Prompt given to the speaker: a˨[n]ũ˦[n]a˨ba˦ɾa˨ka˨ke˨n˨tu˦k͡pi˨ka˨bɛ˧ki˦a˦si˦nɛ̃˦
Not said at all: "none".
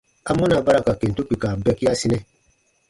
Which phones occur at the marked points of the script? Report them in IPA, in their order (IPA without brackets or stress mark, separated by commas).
m, n